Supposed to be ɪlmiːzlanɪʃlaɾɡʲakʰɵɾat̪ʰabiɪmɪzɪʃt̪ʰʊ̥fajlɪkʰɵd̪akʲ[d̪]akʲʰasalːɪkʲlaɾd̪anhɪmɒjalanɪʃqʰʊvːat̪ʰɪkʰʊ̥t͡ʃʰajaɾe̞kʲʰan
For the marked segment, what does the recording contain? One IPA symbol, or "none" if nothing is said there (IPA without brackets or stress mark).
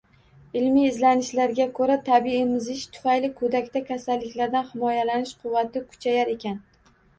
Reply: t̪